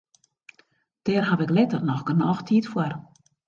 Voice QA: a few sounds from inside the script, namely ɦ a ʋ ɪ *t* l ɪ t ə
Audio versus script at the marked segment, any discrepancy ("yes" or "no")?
yes